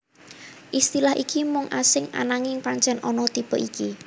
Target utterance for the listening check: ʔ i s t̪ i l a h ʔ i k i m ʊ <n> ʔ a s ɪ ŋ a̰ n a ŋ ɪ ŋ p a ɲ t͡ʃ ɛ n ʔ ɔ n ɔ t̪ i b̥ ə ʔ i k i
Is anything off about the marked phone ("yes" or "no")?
yes